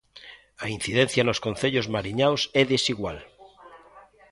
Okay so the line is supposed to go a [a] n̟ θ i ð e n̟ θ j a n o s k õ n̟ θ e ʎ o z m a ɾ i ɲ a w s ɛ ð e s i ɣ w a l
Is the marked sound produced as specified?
no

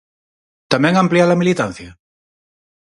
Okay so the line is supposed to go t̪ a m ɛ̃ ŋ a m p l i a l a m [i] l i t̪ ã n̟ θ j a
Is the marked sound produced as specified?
yes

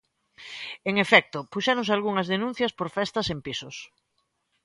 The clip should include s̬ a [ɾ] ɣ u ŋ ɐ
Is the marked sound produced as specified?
no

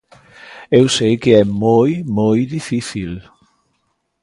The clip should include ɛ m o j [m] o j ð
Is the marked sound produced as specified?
yes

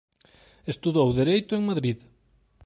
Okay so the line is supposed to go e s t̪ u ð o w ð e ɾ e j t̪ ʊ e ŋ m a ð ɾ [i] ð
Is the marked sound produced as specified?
yes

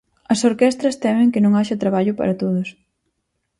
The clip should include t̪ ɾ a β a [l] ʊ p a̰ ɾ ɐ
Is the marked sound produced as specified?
no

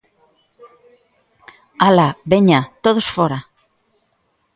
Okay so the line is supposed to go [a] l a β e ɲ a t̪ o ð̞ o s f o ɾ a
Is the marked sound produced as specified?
yes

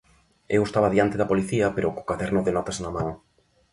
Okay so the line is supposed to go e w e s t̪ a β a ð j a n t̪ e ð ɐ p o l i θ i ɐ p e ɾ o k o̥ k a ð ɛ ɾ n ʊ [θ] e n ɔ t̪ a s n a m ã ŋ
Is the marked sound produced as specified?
no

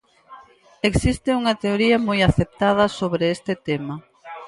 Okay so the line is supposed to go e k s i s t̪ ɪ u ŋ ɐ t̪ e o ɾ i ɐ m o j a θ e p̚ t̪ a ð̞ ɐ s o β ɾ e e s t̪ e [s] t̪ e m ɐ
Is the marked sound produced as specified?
no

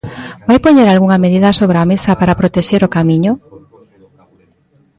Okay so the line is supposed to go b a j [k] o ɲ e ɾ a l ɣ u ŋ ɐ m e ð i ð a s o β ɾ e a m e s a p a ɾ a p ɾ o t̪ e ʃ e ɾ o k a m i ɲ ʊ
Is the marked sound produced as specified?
no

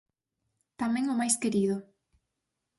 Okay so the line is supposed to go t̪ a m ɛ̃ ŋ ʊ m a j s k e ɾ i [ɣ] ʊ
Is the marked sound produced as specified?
no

